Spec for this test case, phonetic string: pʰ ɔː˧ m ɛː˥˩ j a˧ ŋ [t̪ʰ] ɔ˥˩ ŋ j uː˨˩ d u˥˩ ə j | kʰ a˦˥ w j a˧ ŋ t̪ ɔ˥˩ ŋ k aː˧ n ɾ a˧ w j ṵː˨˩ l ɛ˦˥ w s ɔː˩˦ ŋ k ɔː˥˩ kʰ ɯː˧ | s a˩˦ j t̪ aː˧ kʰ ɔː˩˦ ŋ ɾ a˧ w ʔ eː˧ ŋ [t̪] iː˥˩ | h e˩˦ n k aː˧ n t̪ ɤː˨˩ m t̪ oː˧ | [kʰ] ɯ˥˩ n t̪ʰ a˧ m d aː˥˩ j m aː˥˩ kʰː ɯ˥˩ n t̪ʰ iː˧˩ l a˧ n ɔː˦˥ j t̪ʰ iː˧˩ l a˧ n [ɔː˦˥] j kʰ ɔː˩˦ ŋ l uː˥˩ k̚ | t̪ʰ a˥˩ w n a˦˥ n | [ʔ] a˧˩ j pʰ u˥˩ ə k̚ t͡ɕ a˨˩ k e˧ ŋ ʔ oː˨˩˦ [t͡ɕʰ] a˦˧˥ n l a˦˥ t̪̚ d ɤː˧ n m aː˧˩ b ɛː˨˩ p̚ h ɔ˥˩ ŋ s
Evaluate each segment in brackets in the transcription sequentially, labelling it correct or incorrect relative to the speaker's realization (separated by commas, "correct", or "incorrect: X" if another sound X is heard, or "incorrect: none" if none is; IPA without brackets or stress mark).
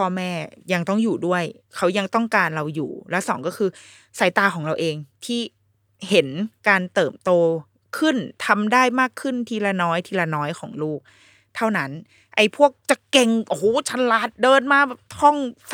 incorrect: t̪, incorrect: t̪ʰ, correct, correct, correct, correct